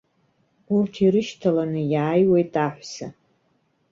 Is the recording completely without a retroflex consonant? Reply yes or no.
yes